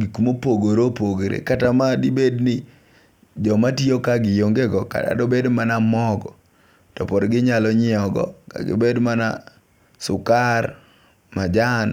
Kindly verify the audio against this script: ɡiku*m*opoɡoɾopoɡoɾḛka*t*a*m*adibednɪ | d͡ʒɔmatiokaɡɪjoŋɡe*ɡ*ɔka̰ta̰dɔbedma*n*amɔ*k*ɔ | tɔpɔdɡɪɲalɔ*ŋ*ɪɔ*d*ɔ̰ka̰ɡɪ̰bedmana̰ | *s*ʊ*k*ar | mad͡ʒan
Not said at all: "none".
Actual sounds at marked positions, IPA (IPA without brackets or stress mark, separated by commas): m, t, m, ɡ, n, ɡ, ɲ, ɡ, s, k